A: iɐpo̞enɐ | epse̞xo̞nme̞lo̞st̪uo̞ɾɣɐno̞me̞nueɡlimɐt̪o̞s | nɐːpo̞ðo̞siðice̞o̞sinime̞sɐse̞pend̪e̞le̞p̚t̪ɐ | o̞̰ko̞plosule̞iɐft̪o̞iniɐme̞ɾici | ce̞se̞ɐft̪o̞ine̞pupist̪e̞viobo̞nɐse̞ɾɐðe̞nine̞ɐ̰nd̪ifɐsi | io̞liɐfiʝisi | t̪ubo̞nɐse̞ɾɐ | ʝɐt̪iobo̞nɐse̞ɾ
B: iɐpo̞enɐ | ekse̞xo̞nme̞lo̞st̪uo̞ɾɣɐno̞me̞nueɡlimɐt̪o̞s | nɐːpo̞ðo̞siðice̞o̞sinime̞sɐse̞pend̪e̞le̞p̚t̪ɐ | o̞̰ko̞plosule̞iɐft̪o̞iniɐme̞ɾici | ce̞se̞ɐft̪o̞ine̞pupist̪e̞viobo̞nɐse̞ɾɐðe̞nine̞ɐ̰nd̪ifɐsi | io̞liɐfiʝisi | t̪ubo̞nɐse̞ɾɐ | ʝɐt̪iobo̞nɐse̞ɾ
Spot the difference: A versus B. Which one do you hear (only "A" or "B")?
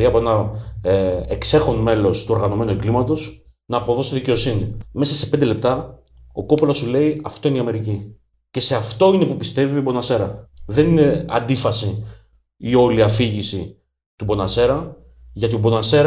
B